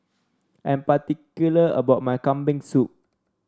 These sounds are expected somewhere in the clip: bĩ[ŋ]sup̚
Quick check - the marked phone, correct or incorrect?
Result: correct